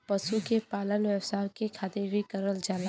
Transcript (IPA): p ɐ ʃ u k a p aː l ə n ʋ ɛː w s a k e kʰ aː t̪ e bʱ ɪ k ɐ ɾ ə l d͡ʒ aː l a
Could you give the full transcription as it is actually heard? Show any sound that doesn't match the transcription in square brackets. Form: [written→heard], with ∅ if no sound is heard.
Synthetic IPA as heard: p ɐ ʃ u k [a→e] p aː l ə n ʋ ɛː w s a k e kʰ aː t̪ e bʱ [ɪ→i] k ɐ ɾ ə l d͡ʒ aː l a